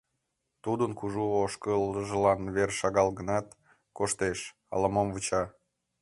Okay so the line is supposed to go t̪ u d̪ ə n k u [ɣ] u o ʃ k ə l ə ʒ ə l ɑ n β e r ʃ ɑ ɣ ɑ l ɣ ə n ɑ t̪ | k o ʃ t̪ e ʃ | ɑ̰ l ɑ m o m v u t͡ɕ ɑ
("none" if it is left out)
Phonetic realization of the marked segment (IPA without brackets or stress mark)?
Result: ʒ